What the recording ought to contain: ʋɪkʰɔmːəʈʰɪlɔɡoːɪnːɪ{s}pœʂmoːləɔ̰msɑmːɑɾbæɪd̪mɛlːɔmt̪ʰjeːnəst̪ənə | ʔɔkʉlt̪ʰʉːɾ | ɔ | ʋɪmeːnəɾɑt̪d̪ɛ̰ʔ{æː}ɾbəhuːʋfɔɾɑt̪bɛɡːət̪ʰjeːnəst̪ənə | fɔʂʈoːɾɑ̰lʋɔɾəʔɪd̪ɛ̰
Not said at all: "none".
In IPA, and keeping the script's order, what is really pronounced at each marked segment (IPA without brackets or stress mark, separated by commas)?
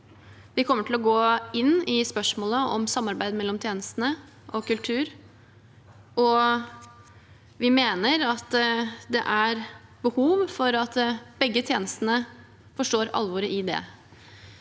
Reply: s, æ